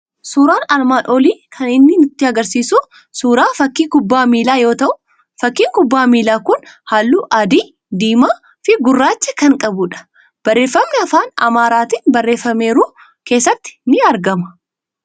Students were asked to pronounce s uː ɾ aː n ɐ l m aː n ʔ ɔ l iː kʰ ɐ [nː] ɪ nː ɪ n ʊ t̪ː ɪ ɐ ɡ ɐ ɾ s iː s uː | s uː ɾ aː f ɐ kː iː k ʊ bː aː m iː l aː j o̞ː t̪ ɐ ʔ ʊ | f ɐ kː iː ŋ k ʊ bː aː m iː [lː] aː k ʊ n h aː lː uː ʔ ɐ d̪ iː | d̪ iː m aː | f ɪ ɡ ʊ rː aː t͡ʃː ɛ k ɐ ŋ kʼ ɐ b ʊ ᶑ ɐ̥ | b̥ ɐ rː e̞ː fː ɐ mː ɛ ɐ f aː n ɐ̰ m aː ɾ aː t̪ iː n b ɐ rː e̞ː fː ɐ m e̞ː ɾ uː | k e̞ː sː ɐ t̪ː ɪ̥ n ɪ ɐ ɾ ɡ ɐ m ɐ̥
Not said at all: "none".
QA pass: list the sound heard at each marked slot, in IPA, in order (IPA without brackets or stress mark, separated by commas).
n, l